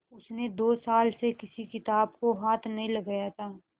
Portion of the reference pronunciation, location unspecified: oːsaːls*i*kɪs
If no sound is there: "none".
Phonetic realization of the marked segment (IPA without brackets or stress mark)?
e